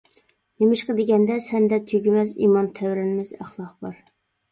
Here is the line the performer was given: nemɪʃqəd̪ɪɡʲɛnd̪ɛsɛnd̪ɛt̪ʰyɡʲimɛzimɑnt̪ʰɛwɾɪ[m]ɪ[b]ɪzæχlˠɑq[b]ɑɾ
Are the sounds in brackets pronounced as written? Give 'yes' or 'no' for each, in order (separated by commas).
no, no, yes